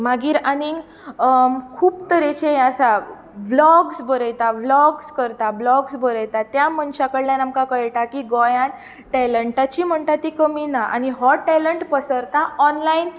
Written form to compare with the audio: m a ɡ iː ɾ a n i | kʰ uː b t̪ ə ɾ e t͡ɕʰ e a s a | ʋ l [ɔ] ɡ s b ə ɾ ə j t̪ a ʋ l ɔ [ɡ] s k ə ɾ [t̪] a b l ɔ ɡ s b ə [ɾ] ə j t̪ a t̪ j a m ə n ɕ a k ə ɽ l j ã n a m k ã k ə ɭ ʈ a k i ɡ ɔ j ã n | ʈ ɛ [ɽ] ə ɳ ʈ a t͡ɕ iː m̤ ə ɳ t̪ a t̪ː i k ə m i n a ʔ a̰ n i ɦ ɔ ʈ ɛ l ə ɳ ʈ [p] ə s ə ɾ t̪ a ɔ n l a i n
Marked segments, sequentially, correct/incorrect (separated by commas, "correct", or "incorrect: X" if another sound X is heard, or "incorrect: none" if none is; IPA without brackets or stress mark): correct, correct, correct, correct, incorrect: l, correct